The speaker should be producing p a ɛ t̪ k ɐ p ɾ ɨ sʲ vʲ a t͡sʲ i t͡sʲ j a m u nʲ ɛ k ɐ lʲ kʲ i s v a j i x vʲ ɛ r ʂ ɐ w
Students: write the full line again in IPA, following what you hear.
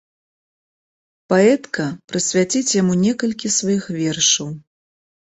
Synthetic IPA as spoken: p a ɛ t̪ k ɐ p ɾ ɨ sʲ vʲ a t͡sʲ i t͡sʲ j a m u nʲ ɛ k ɐ lʲ kʲ i s v a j i x vʲ ɛ r ʂ ɐ w